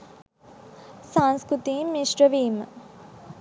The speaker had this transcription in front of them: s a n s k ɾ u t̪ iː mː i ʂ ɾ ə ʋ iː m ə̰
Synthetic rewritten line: s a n s k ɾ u t̪ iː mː i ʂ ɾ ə ʋ iː m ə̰

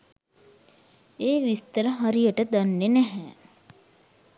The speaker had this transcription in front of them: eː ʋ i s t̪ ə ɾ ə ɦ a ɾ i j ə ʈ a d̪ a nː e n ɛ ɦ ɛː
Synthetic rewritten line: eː ʋ i s t̪ ə ɾ ə ɦ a ɾ i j ə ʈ ə d̪ a nː e n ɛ ɦ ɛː

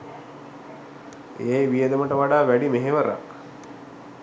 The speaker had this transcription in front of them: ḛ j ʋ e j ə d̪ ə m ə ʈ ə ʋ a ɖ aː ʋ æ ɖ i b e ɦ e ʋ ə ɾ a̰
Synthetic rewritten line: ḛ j ʋ i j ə d̪ ə m ə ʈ ə ʋ a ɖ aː ʋ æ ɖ i m e ɦ e ʋ ə ɾ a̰

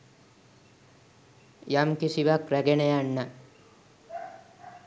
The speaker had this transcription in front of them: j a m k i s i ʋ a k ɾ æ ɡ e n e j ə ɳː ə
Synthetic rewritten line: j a m k i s i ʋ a k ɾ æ ɡ e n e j a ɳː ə

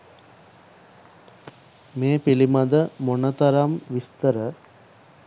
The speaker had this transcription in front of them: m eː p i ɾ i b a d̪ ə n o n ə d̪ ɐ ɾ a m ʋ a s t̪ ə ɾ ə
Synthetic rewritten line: m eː p i l i m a d̪ ə m o n ə t̪ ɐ ɾ a m ʋ i s t̪ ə ɾ ə

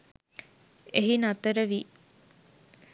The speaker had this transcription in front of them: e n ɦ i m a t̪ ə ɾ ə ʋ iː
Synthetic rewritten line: e ɦ i n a t̪ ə ɾ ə ʋ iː

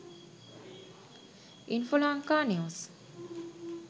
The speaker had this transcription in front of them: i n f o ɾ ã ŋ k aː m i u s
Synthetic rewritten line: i n f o l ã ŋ k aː n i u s

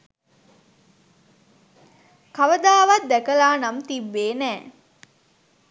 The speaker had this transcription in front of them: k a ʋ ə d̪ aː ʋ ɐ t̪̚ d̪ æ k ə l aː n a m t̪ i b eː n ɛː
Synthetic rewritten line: k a ʋ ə d̪ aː ʋ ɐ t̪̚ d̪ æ k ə l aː n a m t̪ i bː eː n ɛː

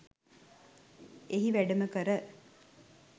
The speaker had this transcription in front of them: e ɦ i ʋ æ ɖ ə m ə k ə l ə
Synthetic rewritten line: e ɦ i ʋ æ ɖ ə m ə k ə ɾ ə

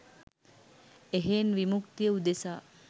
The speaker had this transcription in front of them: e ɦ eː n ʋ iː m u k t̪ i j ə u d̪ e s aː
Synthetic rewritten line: e ɦ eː n ʋ i m u k t̪ i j ə u d̪ e s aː

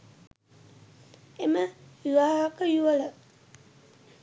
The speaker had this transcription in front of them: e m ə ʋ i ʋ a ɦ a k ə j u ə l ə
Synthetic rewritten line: e m ə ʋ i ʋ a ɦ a k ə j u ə l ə

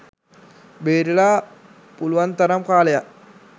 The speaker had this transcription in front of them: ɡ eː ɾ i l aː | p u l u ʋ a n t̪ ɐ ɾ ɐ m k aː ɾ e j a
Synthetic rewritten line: b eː ɾ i l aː | p u l u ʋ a n t̪ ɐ ɾ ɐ m k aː l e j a

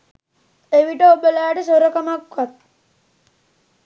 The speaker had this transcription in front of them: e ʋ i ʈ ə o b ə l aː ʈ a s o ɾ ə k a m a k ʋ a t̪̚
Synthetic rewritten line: e ʋ i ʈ ə o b ə l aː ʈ ə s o ɾ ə k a m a k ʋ a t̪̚

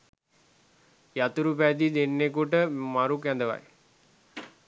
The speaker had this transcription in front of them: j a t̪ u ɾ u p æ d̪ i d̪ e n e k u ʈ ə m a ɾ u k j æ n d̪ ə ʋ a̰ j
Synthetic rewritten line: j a t̪ u ɾ u p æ d̪ i d̪ e nː e k u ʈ ə m a ɾ u k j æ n d̪ ə ʋ a̰ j

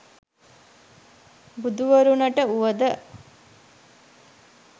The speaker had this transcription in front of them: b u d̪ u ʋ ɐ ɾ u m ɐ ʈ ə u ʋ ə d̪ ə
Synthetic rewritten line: b u d̪ u ʋ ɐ ɾ u n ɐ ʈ ə u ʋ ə d̪ ə

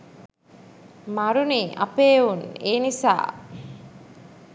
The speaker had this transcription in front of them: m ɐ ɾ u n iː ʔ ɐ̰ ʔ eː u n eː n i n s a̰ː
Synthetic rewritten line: m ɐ ɾ u n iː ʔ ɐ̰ p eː u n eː n i s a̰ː

